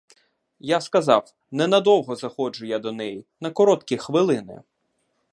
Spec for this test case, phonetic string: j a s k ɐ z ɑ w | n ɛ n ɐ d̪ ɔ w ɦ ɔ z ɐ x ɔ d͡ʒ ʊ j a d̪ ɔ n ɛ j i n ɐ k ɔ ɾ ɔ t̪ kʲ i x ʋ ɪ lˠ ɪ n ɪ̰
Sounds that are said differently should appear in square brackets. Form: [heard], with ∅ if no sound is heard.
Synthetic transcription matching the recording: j a s k ɐ z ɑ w | n ɛ n ɐ d̪ ɔ w ɦ ɔ z ɐ x ɔ d͡ʒ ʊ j a d̪ ɔ n ɛ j i n ɐ k ɔ ɾ ɔ t̪ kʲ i x ʋ ɪ lˠ ɪ n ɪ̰